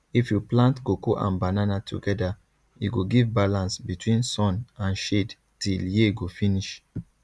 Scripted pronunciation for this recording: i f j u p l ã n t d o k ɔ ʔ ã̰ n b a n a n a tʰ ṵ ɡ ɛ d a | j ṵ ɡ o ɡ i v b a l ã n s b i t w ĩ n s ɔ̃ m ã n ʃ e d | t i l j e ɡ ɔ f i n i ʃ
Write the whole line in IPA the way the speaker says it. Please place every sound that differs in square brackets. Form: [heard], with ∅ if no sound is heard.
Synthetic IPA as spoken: i f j u p l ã n t [ɡ] o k [o] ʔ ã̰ n b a n a n a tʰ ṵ ɡ ɛ d a | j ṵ ɡ o ɡ i v b a l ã n s b i t w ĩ n s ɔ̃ [n] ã n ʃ e d | t i l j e ɡ [o] f i n i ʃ